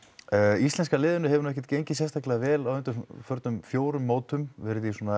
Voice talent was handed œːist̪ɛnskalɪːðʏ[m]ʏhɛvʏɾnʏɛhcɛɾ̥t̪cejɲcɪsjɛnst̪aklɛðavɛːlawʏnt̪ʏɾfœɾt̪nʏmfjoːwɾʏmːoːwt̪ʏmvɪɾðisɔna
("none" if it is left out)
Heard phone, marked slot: n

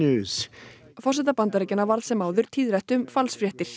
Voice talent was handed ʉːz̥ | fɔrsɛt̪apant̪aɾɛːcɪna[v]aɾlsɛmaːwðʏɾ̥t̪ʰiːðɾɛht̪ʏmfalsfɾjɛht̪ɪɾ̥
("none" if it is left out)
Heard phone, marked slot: v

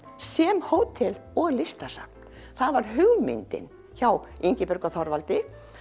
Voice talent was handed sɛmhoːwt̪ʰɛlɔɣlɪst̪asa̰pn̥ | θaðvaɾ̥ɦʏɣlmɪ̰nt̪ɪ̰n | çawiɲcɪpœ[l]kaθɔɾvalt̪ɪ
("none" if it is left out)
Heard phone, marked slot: ɾ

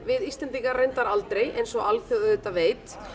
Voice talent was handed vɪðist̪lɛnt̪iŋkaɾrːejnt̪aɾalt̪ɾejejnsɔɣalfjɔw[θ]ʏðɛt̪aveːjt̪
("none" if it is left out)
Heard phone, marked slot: ð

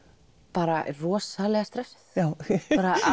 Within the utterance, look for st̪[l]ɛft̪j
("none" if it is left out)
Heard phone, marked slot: ɾ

